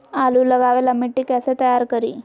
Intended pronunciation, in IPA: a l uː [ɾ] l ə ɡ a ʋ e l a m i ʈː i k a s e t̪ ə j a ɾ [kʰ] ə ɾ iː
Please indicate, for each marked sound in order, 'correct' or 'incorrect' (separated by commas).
incorrect, incorrect